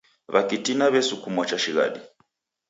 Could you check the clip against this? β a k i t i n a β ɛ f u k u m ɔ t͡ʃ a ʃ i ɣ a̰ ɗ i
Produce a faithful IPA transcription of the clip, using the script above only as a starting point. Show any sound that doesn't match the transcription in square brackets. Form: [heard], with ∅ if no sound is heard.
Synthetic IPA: β a k i t i n a β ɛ [s] u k u m ɔ t͡ʃ a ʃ i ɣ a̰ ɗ i